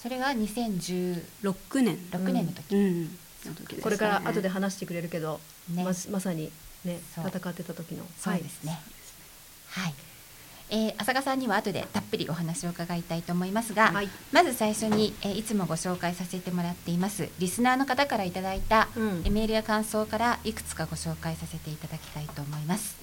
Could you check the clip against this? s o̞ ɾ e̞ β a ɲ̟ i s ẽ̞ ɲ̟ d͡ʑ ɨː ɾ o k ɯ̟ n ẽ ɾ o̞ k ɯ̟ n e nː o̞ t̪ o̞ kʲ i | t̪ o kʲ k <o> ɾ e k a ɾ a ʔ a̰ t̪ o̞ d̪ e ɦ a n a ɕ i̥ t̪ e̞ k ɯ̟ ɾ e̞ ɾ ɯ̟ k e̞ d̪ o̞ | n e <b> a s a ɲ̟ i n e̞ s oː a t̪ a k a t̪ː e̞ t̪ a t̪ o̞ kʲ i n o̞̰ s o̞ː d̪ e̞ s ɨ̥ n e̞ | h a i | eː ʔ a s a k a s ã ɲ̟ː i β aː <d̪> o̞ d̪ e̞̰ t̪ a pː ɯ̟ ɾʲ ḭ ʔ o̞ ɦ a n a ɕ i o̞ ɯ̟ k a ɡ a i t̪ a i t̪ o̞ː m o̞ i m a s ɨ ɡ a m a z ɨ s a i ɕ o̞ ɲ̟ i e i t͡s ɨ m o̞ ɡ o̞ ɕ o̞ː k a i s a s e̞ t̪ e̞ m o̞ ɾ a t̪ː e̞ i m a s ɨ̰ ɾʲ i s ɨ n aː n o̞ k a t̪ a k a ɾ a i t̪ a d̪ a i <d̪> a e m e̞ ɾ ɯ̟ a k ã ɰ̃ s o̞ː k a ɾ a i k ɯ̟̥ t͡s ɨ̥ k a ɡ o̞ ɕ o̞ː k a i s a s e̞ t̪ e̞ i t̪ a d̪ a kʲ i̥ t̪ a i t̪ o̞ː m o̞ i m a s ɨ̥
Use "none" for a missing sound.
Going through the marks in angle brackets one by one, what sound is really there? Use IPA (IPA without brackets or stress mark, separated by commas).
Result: o, m, t̪, t̪